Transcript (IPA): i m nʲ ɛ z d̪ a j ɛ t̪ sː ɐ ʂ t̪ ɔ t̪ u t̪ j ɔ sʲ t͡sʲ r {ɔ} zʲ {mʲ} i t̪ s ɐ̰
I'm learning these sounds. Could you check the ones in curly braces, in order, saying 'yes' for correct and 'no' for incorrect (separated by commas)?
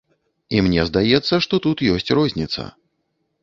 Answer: yes, no